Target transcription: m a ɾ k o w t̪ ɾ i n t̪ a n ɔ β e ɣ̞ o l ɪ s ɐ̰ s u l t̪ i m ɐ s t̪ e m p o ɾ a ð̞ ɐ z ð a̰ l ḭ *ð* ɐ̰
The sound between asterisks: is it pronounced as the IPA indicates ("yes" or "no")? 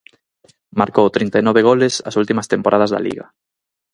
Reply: no